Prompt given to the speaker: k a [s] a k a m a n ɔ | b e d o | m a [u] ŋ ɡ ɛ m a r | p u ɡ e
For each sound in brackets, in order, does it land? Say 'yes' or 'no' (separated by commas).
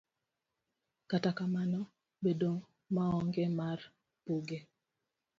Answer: no, no